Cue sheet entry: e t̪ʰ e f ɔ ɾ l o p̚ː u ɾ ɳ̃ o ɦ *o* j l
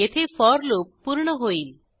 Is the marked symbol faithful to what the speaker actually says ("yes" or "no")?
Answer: yes